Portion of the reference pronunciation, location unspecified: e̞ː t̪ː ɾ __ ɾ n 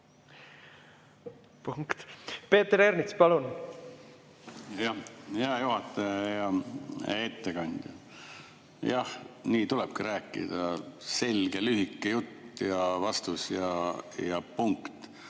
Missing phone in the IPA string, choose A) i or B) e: B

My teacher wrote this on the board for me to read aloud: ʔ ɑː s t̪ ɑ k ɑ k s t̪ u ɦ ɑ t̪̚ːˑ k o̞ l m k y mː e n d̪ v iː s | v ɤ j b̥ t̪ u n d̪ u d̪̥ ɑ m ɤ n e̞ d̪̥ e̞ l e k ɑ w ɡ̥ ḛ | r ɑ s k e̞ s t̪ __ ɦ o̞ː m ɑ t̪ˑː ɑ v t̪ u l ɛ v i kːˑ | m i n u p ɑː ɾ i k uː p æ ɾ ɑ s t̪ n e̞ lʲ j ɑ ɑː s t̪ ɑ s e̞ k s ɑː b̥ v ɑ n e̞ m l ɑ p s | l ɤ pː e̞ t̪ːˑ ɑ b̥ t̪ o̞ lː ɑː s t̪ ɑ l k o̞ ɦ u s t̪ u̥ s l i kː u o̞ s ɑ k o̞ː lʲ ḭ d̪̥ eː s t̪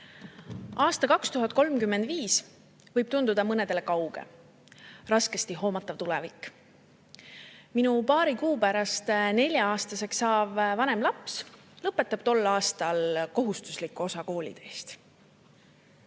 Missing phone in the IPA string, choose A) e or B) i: B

